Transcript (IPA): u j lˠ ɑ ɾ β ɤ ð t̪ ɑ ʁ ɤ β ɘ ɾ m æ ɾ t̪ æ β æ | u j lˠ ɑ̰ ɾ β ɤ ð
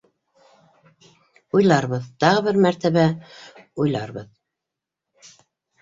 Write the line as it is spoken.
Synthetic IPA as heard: u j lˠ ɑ ɾ β ɤ ð t̪ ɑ ʁ ɤ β ɘ ɾ m æ ɾ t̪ æ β æ | u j lˠ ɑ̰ ɾ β ɤ ð